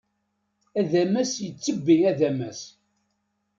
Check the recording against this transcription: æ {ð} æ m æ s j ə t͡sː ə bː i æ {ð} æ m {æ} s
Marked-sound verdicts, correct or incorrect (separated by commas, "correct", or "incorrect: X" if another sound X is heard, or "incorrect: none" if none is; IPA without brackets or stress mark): correct, correct, correct